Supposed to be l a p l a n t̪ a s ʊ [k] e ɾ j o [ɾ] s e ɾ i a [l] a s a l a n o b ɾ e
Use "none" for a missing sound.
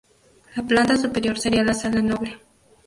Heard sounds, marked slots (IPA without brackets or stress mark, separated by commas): p, ɾ, l